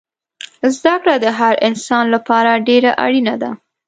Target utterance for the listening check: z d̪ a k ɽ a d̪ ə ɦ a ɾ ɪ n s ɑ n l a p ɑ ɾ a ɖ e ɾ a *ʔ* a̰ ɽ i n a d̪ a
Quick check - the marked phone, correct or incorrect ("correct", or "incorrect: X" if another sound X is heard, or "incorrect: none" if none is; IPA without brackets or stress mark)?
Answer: correct